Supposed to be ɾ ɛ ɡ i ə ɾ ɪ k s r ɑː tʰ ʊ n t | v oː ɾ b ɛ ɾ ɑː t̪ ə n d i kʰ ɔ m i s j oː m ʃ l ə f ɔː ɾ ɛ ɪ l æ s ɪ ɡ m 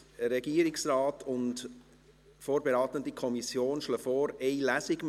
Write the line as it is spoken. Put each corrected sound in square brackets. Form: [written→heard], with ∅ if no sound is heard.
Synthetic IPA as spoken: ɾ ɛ ɡ i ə ɾ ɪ k s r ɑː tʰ ʊ n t | [v→f] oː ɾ b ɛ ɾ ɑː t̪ ə n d i kʰ ɔ m i s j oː [m→n] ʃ l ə f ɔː ɾ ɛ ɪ l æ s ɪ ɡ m